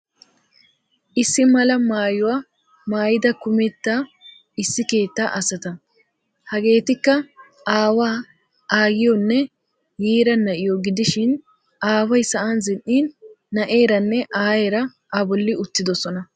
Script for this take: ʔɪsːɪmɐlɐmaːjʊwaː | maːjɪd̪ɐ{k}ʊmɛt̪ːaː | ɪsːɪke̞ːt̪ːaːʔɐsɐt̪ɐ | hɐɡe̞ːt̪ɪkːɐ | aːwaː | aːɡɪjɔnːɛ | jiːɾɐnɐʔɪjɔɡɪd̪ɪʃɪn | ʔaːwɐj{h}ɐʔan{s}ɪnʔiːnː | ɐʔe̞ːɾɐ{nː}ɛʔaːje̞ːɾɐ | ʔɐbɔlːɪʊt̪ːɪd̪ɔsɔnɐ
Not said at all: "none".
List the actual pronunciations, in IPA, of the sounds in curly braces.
k, s, z, nː

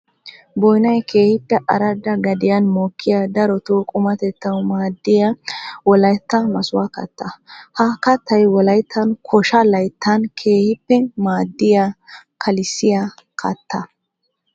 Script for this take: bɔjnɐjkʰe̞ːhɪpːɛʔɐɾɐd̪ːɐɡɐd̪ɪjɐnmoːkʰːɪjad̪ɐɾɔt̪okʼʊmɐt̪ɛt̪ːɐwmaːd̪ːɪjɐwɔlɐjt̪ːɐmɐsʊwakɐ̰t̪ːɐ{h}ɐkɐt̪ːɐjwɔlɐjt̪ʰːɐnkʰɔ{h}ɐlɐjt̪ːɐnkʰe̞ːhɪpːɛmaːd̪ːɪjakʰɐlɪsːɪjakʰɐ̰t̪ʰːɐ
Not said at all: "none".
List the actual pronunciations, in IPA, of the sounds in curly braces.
h, ʃ

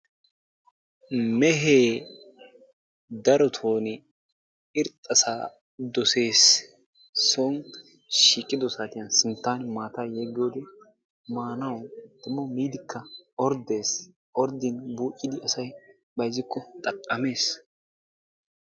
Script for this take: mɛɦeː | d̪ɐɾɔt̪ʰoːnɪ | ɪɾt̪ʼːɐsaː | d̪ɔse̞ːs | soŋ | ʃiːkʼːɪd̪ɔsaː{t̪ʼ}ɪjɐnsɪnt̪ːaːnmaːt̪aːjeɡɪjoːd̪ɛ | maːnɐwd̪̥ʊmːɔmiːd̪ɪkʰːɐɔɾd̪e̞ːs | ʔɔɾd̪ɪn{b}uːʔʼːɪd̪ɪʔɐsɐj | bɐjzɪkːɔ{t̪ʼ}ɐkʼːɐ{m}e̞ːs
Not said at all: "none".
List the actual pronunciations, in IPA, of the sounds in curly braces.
t̪, b, t̪ʼ, m

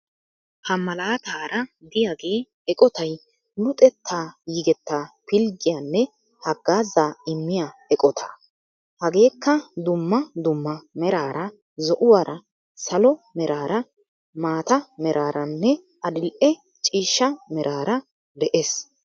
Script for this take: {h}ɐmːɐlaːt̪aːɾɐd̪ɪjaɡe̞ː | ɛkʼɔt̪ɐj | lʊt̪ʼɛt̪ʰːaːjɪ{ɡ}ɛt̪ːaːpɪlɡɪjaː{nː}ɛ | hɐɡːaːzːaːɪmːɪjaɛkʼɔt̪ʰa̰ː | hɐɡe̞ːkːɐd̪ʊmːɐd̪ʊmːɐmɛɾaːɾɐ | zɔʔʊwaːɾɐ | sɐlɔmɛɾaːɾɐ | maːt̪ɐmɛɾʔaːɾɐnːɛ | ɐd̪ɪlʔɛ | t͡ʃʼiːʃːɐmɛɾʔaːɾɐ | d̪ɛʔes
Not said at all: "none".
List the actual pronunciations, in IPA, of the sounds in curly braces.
h, ɡ, nː

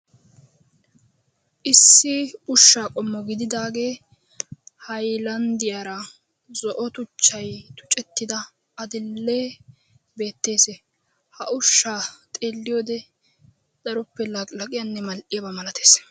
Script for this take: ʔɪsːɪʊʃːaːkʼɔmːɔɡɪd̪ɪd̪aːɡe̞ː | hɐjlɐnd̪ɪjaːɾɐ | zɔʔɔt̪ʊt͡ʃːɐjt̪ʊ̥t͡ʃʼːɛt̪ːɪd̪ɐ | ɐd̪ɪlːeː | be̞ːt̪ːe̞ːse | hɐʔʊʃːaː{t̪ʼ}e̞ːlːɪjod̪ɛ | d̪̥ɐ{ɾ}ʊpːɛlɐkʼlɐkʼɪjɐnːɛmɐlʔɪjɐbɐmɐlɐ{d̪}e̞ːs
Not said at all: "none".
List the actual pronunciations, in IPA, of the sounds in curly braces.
t̪ʼ, ɾ, t̪

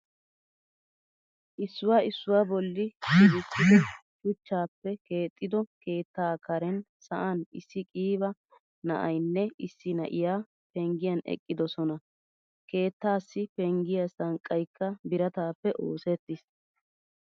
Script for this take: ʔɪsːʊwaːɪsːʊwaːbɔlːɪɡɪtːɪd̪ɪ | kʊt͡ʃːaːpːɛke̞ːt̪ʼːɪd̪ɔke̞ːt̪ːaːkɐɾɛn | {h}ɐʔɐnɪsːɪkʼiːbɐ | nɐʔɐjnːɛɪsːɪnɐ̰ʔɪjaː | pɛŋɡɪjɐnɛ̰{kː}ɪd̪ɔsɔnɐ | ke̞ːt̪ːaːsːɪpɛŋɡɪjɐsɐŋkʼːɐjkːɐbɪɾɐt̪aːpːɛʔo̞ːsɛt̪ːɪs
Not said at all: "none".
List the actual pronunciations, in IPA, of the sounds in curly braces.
s, kʼː

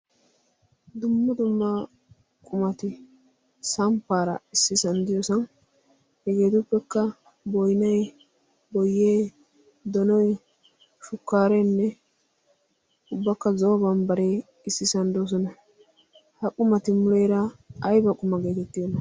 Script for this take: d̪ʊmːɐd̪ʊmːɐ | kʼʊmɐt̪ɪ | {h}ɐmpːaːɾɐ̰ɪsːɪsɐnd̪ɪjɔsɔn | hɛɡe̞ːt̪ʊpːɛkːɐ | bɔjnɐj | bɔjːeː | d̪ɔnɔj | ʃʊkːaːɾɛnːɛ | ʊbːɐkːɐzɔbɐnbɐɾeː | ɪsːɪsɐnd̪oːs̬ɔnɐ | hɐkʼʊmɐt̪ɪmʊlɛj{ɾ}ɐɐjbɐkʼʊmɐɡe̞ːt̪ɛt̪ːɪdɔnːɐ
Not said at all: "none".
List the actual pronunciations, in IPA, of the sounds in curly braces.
s, ɾ

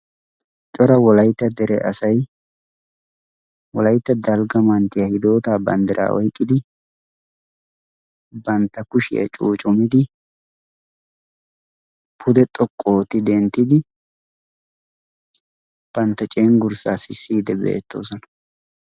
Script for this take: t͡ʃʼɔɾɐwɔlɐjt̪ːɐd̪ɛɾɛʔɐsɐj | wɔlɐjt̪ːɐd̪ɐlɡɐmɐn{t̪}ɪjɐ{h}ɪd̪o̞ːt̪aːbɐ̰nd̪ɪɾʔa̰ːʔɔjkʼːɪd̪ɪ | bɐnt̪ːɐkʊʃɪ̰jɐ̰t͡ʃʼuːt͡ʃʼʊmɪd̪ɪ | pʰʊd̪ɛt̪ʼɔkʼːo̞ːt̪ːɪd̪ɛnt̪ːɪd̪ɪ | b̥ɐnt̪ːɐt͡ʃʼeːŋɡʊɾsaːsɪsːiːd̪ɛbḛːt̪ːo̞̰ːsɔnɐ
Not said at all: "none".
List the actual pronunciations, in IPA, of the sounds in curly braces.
t̪, h

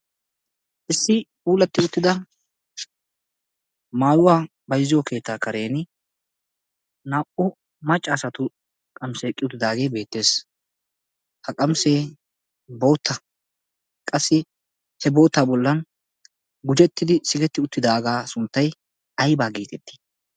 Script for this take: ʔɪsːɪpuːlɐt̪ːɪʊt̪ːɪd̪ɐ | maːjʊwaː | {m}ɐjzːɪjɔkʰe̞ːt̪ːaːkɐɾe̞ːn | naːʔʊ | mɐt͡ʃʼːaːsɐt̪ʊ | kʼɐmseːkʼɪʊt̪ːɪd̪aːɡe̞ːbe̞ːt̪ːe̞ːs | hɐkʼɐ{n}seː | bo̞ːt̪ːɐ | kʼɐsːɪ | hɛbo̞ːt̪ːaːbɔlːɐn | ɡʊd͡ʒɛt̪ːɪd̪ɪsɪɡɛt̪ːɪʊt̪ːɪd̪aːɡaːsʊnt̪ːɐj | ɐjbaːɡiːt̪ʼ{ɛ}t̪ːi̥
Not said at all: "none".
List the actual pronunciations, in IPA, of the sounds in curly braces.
b, m, ɛ

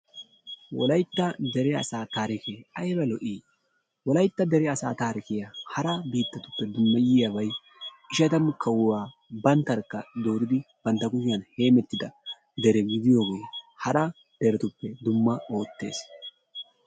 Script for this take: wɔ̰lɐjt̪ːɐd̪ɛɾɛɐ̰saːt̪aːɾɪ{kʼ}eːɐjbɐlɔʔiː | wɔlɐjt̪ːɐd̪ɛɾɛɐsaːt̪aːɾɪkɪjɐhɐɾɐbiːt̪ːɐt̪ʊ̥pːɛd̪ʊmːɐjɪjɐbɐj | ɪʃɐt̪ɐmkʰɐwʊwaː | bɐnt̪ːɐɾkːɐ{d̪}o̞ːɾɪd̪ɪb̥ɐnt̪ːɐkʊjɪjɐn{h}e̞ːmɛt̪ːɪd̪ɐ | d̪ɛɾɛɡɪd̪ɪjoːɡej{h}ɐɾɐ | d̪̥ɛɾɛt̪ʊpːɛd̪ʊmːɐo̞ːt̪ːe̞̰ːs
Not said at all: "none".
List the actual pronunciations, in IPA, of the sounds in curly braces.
k, d̪, h, h

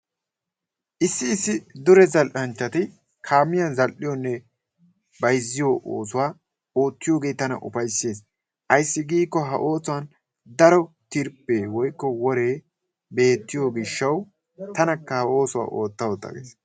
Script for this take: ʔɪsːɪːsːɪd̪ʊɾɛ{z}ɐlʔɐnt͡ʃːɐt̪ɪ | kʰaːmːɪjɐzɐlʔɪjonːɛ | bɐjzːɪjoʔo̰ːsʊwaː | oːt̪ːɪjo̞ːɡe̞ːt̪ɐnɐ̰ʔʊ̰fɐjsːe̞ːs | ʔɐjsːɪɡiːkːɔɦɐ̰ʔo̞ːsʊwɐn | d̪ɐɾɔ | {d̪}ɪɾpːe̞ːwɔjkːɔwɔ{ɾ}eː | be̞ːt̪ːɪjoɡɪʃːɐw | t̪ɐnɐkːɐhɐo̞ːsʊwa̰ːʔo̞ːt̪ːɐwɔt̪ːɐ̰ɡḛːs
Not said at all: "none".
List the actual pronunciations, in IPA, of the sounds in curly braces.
z, t̪, ɾ

